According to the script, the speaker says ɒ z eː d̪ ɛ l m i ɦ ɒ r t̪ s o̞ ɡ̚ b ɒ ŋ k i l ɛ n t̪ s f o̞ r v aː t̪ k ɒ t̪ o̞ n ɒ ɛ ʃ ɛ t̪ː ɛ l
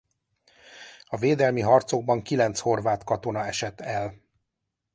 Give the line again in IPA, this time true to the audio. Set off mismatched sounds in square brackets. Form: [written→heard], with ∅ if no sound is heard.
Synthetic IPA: ɒ [z→v] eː d̪ ɛ l m i ɦ ɒ r t̪ s o̞ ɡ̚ b ɒ ŋ k i l ɛ n t̪ s [f→h] o̞ r v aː t̪ k ɒ t̪ o̞ n ɒ ɛ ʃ ɛ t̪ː ɛ l

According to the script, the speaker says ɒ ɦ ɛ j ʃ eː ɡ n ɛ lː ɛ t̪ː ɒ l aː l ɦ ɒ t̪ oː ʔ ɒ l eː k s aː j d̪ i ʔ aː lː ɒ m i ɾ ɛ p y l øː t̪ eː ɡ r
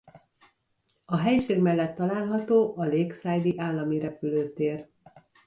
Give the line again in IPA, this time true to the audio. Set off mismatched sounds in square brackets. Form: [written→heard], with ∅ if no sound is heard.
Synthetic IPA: ɒ ɦ ɛ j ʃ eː ɡ [n→m] ɛ lː ɛ t̪ː ɒ l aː l ɦ ɒ t̪ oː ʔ ɒ l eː k s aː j d̪ i ʔ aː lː ɒ m i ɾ ɛ p y l øː t̪ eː [ɡ→∅] r

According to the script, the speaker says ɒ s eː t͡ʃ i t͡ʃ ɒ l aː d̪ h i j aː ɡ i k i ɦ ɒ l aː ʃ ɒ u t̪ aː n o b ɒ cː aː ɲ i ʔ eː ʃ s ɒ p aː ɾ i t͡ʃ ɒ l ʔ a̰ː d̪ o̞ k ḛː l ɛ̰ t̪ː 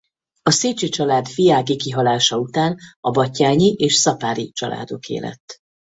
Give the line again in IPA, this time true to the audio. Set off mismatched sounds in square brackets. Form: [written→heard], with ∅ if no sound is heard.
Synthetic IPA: ɒ s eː t͡ʃ i t͡ʃ ɒ l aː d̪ [h→f] i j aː ɡ i k i ɦ ɒ l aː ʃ ɒ u t̪ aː n [o→ɒ] b ɒ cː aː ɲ i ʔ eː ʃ s ɒ p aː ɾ i t͡ʃ ɒ l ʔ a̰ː d̪ o̞ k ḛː l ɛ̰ t̪ː

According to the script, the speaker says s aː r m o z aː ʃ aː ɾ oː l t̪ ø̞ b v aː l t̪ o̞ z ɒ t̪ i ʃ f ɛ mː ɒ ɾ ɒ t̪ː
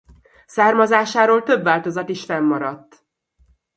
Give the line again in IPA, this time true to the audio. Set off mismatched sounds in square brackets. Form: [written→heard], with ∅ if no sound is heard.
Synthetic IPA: s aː r m [o→ɒ] z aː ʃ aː ɾ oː l t̪ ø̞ b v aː l t̪ o̞ z ɒ t̪ i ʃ f ɛ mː ɒ ɾ ɒ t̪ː

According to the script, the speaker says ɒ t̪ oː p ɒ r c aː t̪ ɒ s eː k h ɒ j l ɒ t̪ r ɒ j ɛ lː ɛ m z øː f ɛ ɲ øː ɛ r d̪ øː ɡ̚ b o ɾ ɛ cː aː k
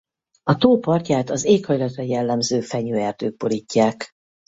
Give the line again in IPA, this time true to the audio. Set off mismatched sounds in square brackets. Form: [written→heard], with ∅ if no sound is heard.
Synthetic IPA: ɒ t̪ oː p ɒ r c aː t̪ ɒ [s→z] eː k h ɒ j l ɒ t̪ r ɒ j ɛ lː ɛ m z øː f ɛ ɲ øː ɛ r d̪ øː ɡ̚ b o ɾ [ɛ→i] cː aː k

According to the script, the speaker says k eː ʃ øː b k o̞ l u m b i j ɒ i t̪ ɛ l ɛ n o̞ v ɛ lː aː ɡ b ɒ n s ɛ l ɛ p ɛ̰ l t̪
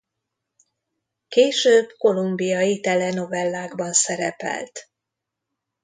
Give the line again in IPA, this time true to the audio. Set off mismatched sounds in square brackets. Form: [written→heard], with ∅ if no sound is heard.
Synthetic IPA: k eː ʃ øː b k o̞ l u m b i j ɒ i t̪ ɛ l ɛ n o̞ v ɛ lː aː ɡ b ɒ n s ɛ [l→ɾ] ɛ p ɛ̰ l t̪

